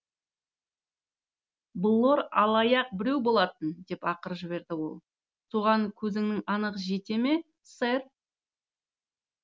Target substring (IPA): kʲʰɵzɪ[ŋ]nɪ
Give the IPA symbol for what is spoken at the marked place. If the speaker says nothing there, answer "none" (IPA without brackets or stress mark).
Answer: ŋ